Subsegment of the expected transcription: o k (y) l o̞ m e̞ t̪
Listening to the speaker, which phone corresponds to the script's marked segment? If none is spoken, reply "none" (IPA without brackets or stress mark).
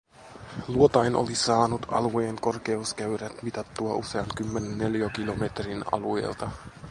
i